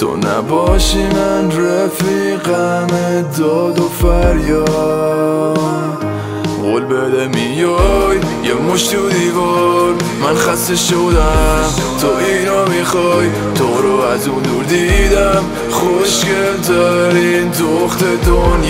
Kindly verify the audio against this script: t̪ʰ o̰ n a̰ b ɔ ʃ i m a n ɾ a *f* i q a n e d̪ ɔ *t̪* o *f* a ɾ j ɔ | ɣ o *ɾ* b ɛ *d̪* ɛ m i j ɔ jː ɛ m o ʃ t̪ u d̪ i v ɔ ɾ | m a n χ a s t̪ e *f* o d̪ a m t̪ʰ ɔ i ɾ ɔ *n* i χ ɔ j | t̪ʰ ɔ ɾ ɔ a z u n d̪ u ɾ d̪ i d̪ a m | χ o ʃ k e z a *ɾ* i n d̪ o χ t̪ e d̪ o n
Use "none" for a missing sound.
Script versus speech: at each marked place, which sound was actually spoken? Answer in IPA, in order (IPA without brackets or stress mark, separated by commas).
f, d̪, f, l, d̪, ʃ, m, ɾ